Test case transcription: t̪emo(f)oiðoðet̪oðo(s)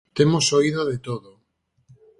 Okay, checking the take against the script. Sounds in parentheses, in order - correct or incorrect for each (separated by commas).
incorrect, incorrect